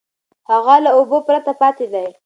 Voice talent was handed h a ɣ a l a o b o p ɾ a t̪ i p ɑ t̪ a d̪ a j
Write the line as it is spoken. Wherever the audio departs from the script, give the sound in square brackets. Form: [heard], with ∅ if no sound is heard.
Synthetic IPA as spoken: h a ɣ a l a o b o p ɾ a t̪ [a] p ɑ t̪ [e] d̪ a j